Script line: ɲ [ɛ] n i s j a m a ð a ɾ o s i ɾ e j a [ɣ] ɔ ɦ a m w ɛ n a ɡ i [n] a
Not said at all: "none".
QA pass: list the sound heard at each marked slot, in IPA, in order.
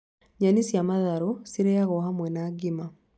a, ɣ, m

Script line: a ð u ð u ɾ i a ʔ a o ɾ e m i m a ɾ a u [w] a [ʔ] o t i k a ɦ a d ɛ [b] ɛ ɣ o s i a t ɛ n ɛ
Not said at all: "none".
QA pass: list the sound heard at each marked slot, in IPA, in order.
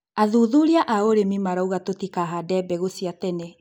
ɣ, t, b

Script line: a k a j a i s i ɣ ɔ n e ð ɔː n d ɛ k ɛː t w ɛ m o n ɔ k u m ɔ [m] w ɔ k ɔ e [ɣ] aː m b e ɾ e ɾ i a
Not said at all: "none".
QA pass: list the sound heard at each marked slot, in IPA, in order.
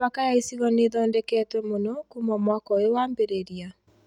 m, w

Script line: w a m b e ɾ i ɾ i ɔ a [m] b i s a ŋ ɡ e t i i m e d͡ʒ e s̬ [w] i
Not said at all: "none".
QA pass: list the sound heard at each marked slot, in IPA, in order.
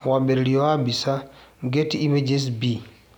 m, b

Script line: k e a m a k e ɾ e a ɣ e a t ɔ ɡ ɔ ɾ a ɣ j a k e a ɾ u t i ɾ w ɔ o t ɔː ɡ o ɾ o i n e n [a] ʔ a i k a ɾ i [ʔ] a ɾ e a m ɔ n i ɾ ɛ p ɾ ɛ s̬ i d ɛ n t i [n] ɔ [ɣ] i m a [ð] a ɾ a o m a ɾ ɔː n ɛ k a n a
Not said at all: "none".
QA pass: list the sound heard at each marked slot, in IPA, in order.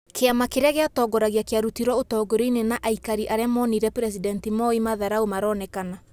a, ʔ, m, none, ð

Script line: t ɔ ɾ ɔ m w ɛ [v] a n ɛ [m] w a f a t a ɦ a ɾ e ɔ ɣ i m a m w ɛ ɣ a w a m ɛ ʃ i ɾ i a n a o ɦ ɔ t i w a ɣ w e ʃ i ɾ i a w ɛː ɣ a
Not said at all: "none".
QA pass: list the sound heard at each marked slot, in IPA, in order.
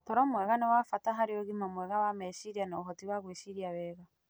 ɣ, none

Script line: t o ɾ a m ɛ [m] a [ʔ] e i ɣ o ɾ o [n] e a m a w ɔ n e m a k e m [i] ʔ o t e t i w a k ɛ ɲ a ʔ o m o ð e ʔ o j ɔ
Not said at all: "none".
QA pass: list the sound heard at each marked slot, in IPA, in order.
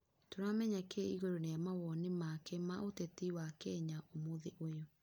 ɲ, k, n, a

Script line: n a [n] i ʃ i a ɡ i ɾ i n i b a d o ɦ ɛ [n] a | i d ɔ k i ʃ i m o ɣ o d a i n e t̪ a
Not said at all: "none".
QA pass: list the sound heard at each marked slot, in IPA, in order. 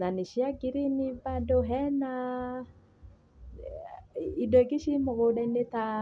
n, n

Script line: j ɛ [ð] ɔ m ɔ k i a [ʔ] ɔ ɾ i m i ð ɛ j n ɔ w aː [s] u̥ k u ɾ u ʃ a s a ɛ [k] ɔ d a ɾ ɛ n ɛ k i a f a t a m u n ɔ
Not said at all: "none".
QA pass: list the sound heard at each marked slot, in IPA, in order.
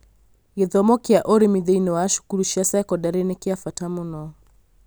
ð, ʔ, ʃ, k

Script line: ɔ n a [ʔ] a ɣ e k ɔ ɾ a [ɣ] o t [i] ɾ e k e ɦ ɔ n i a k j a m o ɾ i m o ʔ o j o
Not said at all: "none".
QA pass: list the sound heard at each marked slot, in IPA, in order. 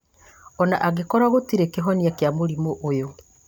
ʔ, ɣ, i

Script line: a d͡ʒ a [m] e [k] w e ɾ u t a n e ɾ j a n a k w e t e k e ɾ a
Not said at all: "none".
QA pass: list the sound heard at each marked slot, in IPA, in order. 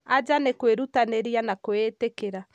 n, k

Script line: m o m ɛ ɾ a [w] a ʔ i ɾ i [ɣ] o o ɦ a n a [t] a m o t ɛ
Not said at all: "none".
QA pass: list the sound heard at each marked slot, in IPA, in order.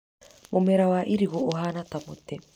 w, ɣ, t

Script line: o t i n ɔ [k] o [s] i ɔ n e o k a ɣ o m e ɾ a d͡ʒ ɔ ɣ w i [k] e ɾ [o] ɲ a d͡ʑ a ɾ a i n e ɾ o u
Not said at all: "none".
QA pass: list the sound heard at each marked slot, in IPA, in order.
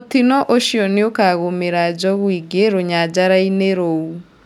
ʔ, ʃ, ɡ, o

